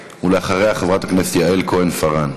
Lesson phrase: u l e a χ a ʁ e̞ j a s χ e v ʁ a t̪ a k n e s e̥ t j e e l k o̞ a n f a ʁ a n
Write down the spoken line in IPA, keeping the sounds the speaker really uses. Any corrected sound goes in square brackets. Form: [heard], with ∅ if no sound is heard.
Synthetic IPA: u l e a χ a ʁ e̞ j a [∅] χ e v ʁ a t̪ a k n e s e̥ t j [a] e l k o̞ [e] n f a ʁ a n